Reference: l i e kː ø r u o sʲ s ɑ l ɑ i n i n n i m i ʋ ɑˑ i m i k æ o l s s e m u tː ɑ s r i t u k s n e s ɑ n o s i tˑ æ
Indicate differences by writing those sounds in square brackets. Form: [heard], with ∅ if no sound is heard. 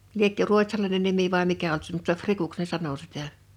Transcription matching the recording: l i e kː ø r u o [tʲ] s ɑ l ɑ i n [e] n n i m i ʋ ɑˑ i m i k æ o l [t] s e m u tː ɑ [f] r i [k] u k s n e s ɑ n o s i tˑ æ